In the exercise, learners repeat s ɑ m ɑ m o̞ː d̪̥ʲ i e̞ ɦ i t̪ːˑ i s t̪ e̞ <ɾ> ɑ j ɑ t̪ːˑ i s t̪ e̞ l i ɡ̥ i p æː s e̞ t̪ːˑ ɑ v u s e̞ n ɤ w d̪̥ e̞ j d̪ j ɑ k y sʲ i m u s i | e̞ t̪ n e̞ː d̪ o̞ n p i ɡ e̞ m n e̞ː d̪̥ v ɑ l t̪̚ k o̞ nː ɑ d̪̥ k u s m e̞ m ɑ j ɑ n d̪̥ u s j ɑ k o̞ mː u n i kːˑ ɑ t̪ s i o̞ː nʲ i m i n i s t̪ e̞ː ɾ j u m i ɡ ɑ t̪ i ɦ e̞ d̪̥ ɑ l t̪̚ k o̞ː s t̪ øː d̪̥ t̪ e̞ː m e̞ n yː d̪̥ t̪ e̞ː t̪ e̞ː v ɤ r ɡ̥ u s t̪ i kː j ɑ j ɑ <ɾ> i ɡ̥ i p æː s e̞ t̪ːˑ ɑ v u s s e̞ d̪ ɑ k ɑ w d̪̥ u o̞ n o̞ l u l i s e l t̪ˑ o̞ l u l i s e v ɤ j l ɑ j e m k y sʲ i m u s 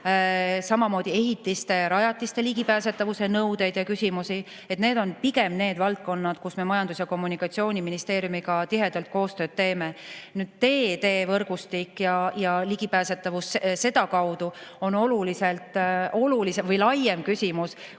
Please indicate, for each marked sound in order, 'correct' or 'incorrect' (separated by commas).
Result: correct, incorrect